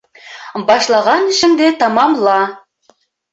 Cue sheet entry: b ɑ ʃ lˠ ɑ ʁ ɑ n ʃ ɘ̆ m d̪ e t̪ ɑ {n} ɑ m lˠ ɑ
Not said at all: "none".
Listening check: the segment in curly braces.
m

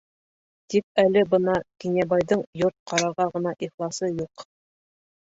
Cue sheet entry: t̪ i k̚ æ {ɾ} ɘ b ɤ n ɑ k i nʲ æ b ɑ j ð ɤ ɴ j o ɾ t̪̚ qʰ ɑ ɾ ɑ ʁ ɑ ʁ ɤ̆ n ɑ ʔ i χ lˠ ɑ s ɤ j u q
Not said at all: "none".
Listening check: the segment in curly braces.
l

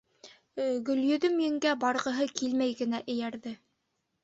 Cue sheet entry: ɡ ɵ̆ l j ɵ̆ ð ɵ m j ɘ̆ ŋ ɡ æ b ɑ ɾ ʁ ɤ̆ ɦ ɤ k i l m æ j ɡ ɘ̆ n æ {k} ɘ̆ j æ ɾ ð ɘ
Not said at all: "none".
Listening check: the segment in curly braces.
ʔ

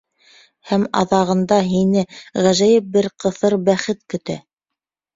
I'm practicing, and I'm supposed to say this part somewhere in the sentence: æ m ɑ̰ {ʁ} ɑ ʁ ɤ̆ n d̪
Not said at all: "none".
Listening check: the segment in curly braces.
ð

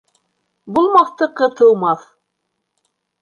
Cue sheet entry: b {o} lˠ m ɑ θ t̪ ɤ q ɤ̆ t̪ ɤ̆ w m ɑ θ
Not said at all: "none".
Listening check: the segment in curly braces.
u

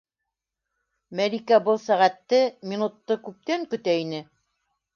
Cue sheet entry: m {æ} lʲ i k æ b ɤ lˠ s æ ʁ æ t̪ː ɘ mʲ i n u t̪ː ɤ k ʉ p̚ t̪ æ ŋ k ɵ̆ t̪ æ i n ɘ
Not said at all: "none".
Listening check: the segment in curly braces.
æ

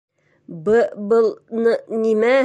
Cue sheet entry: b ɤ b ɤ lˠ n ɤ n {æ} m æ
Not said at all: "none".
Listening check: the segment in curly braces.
i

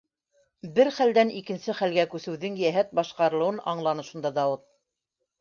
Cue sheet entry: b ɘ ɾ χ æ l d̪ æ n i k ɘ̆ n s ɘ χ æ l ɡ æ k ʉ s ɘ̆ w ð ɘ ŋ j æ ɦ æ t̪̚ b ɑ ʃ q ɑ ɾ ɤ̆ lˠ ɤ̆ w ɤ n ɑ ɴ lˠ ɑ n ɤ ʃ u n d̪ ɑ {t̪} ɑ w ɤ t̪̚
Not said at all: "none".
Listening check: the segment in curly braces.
d̪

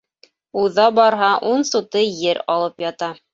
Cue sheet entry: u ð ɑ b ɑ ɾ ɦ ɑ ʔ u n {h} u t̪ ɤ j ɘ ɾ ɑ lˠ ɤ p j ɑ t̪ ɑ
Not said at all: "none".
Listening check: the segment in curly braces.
s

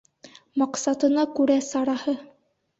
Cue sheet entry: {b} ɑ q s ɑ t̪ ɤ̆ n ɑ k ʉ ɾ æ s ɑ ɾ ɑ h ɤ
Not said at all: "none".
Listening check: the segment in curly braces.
m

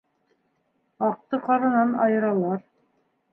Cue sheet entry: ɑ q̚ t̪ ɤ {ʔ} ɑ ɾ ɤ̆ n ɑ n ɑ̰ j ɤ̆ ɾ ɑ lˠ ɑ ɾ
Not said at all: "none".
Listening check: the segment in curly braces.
q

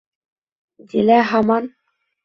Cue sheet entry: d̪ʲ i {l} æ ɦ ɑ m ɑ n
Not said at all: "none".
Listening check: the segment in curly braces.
l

